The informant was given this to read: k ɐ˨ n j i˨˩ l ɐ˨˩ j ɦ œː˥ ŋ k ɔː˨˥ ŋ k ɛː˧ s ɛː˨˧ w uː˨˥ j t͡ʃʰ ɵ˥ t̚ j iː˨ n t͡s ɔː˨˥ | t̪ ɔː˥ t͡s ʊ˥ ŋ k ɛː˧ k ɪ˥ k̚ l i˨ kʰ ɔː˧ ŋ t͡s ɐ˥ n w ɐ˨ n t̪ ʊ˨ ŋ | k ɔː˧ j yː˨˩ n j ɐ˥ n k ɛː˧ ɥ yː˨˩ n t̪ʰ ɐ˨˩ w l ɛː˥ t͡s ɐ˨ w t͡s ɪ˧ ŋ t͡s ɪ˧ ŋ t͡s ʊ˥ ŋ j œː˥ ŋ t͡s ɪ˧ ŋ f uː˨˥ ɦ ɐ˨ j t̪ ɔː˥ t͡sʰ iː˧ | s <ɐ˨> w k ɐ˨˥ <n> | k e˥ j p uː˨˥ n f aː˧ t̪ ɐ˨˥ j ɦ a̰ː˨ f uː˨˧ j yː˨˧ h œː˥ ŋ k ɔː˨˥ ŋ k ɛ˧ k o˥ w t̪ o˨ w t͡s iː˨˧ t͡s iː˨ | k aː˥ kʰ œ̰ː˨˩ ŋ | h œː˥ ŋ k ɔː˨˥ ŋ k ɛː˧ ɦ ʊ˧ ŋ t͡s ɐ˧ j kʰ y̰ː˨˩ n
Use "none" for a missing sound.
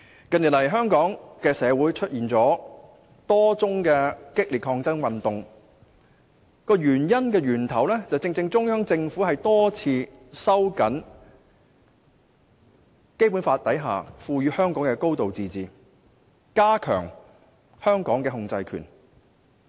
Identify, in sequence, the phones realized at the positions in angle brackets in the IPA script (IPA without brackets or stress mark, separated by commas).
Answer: ɐ˥, n